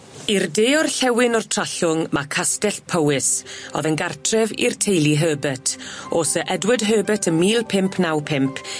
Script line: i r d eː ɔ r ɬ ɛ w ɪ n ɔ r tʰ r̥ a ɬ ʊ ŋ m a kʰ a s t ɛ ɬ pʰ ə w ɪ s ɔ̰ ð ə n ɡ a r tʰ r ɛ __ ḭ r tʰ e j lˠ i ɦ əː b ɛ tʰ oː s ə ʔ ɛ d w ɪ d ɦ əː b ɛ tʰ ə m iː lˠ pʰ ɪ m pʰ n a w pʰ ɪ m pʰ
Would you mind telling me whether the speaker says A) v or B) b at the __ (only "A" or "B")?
A